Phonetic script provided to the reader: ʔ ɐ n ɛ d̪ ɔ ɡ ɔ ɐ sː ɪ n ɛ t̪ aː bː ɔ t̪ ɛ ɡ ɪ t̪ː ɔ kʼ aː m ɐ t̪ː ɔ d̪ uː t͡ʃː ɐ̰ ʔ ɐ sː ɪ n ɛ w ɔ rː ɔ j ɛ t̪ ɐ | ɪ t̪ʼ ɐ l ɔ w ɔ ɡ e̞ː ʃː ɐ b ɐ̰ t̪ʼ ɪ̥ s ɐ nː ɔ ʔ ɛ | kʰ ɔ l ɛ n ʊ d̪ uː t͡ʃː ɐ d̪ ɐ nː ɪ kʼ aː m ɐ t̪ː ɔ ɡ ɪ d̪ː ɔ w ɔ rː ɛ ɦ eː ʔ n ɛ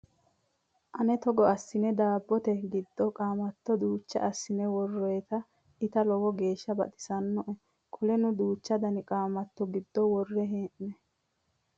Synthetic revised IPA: ʔ ɐ n ɛ t̪ ɔ ɡ ɔ ɐ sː ɪ n ɛ d̪ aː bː ɔ t̪ ɛ ɡ ɪ d̪ː ɔ kʼ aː m ɐ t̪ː ɔ d̪ uː t͡ʃː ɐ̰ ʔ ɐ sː ɪ n ɛ w ɔ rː ɔ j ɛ t̪ ɐ | ɪ t̪ ɐ l ɔ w ɔ ɡ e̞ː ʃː ɐ b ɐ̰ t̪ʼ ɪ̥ s ɐ nː ɔ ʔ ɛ | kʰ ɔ l ɛ n ʊ d̪ uː t͡ʃː ɐ d̪ ɐ n ɪ kʼ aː m ɐ t̪ː ɔ ɡ ɪ d̪ː ɔ w ɔ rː ɛ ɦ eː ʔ n ɛ

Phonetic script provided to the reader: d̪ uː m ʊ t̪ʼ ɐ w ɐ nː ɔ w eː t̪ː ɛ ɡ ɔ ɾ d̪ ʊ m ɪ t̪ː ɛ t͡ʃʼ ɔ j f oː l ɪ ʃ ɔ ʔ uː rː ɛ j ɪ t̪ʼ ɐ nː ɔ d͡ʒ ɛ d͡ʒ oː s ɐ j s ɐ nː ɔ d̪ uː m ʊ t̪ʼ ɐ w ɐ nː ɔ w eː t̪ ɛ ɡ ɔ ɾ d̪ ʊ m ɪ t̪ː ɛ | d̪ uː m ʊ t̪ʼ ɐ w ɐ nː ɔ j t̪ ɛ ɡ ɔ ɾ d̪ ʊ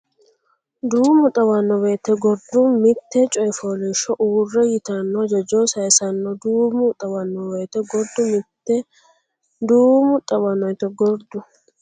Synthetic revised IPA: d̪ uː m ʊ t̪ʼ ɐ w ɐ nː ɔ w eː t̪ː ɛ ɡ ɔ ɾ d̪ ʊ m ɪ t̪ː ɛ t͡ʃʼ ɔ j f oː l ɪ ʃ ɔ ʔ uː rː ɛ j ɪ t̪ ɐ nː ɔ d͡ʒ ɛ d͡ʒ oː s ɐ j s ɐ nː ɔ d̪ uː m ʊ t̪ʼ ɐ w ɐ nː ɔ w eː t̪ ɛ ɡ ɔ ɾ d̪ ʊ m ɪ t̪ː ɛ | d̪ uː m ʊ t̪ʼ ɐ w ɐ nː ɔ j t̪ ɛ ɡ ɔ ɾ d̪ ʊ

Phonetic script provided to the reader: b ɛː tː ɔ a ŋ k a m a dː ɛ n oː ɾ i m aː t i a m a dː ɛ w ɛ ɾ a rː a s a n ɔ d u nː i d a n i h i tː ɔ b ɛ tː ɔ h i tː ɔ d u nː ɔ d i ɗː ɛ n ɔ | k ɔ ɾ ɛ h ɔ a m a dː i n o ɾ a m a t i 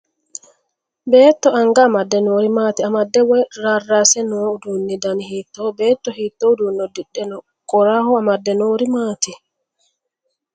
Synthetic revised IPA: b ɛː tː ɔ a ŋ ɡ a m a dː ɛ n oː ɾ i m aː t i a m a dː ɛ w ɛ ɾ a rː a s ɛ n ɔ d u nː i d a n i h i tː ɔ b ɛ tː ɔ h i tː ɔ d u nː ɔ d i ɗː ɛ n ɔ | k ɔ ɾ a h ɔ a m a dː ɛ n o ɾ i m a t i

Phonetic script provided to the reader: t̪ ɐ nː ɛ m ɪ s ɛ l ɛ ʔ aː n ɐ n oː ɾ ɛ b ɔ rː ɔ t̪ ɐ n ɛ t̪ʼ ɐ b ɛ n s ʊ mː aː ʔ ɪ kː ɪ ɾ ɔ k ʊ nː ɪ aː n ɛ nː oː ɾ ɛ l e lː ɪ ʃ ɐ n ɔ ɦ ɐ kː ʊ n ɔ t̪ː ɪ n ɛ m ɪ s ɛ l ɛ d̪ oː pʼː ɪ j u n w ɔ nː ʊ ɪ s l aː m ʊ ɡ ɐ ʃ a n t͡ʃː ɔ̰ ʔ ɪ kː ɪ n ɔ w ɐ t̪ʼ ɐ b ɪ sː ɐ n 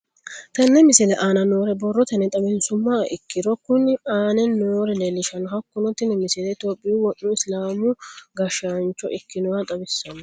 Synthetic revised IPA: t̪ ɐ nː ɛ m ɪ s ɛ l ɛ ʔ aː n ɐ n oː ɾ ɛ b ɔ rː ɔ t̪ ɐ n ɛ t̪ʼ ɐ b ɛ n s ʊ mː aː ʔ ɪ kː ɪ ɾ ɔ k ʊ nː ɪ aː n ɛ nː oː ɾ ɛ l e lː ɪ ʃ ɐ n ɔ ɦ ɐ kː ʊ n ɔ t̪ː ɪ n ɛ m ɪ s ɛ l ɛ t̪ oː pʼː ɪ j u w ɔ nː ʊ ɪ s l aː m ʊ ɡ ɐ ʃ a n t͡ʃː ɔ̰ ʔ ɪ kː ɪ n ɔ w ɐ t̪ʼ ɐ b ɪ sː ɐ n

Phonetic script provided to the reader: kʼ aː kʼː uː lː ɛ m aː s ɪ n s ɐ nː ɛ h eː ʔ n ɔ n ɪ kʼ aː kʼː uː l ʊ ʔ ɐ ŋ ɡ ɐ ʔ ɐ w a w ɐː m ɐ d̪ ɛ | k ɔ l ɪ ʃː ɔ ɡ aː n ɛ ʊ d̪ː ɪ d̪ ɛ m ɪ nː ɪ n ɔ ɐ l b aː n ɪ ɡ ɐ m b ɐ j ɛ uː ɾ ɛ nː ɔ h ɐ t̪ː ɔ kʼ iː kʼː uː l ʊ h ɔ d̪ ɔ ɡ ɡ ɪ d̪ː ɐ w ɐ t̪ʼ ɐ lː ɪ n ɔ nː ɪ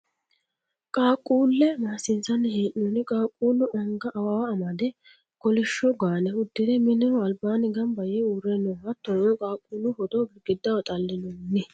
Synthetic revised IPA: kʼ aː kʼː uː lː ɛ m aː s ɪ n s ɐ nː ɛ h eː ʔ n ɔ n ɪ kʼ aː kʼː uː l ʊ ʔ ɐ ŋ ɡ ɐ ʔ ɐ w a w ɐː m ɐ d̪ ɛ | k ɔ l ɪ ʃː ɔ ɡ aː n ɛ ʊ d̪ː ɪ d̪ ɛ m ɪ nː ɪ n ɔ ɐ l b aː n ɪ ɡ ɐ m b ɐ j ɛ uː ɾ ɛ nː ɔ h ɐ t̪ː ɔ kʼ aː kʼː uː l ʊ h ɔ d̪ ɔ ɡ ɡ ɪ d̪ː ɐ w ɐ t̪ʼ ɐ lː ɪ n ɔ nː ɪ

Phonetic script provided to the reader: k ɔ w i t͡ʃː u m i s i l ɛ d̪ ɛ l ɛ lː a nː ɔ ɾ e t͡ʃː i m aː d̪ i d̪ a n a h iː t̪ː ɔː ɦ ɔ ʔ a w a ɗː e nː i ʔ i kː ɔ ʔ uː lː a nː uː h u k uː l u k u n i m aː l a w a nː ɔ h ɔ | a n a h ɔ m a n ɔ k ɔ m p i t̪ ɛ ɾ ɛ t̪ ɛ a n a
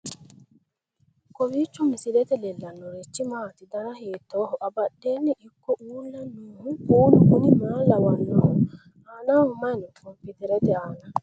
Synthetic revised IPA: k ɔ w i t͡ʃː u m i s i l ɛ t̪ ɛ l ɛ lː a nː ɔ ɾ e t͡ʃː i m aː t̪ i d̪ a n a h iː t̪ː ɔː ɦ ɔ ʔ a b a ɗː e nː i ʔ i kː ɔ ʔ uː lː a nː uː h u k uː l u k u n i m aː l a w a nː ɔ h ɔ | a n a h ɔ m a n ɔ k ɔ m p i t̪ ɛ ɾ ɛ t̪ ɛ a n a

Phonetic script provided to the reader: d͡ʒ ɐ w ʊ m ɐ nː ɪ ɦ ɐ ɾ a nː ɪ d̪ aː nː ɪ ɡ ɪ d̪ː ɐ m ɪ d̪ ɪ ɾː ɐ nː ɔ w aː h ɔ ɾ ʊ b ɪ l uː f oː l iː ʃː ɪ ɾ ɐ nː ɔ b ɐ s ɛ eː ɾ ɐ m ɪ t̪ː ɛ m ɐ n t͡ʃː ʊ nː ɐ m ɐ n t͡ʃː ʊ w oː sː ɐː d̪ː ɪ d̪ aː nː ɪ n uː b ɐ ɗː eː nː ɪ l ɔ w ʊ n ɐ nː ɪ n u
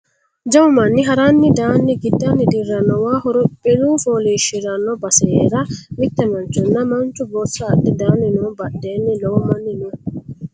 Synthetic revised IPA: d͡ʒ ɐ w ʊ m ɐ nː ɪ ɦ ɐ ɾ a nː ɪ d̪ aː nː ɪ ɡ ɪ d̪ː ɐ n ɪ d̪ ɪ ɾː ɐ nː ɔ w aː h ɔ ɾ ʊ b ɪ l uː f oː l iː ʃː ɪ ɾ ɐ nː ɔ b ɐ s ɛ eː ɾ ɐ m ɪ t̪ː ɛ m ɐ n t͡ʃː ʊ nː ɐ m ɐ n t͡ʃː ʊ b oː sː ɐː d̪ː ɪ d̪ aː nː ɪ n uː b ɐ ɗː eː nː ɪ l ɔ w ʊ m ɐ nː ɪ n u

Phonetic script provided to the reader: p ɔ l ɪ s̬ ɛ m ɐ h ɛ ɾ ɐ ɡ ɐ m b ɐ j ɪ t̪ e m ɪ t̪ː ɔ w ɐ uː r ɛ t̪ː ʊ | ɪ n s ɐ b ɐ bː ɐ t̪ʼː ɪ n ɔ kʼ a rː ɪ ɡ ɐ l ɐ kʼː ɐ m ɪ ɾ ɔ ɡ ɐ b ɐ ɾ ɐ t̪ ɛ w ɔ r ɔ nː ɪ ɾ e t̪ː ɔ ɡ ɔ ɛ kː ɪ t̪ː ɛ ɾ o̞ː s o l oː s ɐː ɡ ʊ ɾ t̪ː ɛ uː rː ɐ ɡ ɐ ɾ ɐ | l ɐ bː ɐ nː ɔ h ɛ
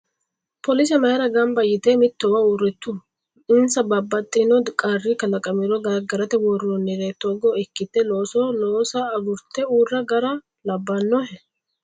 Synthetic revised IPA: p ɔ l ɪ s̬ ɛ m ɐ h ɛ ɾ ɐ ɡ ɐ m b ɐ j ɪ t̪ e m ɪ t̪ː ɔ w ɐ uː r ɛ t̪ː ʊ | ɪ n s ɐ b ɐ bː ɐ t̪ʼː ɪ n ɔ kʼ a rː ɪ k ɐ l ɐ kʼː ɐ m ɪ ɾ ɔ ɡ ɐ ɡ ɐ ɾ ɐ t̪ ɛ w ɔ r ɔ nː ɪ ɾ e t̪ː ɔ ɡ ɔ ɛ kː ɪ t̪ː ɛ l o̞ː s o l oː s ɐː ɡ ʊ ɾ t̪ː ɛ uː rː ɐ ɡ ɐ ɾ ɐ | l ɐ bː ɐ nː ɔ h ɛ

